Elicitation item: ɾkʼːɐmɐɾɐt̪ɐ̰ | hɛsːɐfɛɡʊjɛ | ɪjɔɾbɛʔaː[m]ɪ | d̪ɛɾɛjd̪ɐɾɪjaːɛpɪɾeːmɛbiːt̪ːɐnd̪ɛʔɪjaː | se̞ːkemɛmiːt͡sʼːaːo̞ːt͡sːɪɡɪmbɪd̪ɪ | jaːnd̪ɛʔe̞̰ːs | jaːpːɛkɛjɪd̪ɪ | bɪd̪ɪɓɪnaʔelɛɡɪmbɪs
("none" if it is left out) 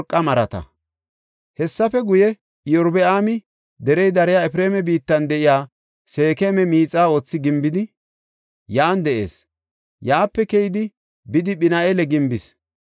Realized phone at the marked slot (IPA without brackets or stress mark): m